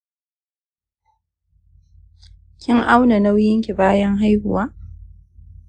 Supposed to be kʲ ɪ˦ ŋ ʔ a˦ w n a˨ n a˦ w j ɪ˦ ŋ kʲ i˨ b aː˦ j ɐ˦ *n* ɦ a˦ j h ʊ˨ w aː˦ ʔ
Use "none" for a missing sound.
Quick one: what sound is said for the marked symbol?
ŋ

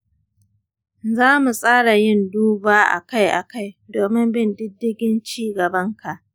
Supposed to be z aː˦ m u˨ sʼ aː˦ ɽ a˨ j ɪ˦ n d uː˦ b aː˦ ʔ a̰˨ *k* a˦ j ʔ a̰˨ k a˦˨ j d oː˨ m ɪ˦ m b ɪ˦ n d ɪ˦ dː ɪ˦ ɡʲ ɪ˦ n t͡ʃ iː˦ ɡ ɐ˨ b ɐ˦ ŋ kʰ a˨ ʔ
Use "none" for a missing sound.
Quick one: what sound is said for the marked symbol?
k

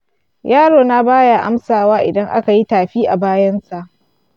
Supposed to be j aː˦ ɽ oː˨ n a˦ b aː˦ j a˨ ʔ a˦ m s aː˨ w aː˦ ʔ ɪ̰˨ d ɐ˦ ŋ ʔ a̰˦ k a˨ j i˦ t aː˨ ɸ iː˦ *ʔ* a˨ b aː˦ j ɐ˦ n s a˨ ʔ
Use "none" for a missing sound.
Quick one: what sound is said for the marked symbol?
ʔ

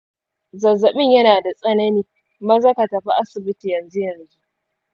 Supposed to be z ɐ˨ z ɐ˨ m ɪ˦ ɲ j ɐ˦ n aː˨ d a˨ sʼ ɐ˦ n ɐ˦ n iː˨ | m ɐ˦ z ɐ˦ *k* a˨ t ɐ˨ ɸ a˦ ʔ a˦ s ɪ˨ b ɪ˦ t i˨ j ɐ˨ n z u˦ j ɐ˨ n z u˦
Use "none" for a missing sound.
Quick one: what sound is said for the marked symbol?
k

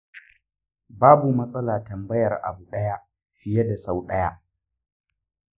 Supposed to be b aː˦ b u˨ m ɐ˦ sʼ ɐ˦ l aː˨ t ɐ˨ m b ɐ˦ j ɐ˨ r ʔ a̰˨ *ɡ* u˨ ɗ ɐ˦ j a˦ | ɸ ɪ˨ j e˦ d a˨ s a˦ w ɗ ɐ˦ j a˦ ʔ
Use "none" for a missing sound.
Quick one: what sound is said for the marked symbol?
b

